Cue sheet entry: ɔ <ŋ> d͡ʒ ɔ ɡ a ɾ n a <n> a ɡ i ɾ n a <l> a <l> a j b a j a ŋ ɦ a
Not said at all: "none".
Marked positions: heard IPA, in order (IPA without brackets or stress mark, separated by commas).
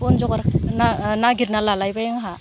n, n, l, l